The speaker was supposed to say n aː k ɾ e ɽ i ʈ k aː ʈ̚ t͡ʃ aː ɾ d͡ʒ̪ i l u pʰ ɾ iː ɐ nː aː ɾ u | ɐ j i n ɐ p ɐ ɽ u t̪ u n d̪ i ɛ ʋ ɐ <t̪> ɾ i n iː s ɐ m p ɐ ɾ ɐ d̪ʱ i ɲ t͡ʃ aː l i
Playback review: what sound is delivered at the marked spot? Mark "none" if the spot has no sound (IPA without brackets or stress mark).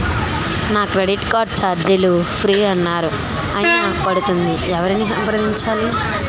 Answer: none